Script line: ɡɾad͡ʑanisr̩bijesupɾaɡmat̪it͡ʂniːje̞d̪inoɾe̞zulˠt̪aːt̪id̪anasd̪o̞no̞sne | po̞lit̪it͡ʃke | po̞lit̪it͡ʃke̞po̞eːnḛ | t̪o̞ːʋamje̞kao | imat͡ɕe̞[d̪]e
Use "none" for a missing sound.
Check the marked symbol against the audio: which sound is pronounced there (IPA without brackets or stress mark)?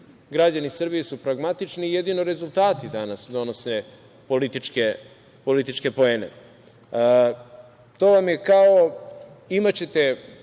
t̪